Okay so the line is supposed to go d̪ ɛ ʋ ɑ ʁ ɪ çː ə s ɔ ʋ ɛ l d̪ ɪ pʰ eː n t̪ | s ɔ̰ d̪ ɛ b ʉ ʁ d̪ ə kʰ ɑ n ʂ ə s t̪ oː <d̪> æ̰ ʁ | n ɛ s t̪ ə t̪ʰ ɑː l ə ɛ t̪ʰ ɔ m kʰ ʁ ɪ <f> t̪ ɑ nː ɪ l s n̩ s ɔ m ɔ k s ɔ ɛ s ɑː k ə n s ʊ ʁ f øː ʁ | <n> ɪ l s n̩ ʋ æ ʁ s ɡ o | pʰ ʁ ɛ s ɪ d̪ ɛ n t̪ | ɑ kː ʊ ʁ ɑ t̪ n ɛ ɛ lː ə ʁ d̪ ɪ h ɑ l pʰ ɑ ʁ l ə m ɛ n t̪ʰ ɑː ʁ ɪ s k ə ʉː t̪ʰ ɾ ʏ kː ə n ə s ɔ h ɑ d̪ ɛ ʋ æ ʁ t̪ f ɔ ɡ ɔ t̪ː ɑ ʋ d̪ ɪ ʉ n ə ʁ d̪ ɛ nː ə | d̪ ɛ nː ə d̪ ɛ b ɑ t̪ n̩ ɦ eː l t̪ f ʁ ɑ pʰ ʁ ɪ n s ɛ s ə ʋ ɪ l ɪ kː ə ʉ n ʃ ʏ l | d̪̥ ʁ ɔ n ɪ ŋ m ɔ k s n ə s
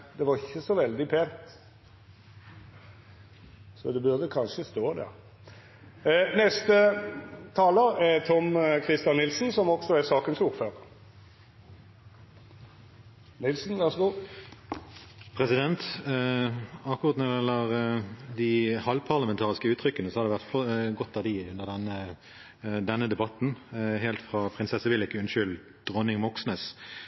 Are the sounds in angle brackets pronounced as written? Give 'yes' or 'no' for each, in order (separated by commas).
yes, no, yes